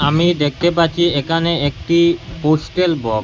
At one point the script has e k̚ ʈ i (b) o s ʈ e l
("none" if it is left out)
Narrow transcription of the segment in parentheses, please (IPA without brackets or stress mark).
p